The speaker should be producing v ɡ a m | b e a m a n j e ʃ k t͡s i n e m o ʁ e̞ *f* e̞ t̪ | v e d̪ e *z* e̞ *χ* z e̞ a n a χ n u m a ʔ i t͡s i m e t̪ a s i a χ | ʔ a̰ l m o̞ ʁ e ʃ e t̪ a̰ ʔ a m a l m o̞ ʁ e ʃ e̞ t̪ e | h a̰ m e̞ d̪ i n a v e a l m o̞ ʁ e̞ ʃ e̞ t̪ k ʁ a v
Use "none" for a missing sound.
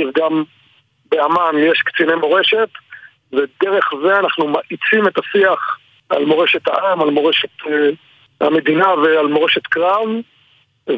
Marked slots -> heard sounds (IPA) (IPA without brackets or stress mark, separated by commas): ʃ, ʁ, χ